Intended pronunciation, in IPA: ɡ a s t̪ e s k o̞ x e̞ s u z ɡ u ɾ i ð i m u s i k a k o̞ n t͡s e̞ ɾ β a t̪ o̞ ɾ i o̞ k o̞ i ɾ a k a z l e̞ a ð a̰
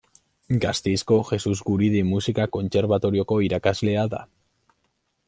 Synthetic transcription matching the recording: ɡ a s t̪ e s k o̞ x e̞ s u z ɡ u ɾ i ð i m u s i k a k o̞ n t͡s e̞ ɾ β a t̪ o̞ ɾ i o̞ k o̞ i ɾ a k a z l e̞ a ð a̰